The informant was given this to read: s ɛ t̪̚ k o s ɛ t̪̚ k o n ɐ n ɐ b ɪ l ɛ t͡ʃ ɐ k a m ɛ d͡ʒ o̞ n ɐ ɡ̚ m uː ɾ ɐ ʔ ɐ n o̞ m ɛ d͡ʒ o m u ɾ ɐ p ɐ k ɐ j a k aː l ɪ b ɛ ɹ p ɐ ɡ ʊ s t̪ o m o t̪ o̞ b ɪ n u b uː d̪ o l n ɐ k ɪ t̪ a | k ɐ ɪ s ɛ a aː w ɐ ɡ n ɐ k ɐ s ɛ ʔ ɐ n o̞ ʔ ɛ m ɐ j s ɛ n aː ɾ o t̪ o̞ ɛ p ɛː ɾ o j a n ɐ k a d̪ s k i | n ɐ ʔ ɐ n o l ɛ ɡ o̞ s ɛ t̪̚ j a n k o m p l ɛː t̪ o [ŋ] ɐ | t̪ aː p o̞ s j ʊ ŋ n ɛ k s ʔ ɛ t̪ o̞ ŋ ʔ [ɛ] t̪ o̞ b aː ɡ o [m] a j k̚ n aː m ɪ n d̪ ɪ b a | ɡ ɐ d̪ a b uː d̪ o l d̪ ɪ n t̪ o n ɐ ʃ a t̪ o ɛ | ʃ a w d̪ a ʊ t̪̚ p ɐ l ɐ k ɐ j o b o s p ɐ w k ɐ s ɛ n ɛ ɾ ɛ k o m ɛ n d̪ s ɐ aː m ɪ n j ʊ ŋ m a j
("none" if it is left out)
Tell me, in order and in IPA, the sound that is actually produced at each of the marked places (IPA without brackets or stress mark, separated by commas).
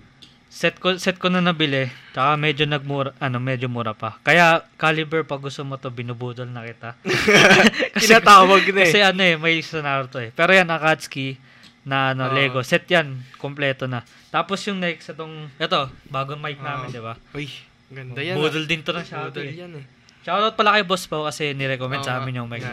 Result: n, ɛ, m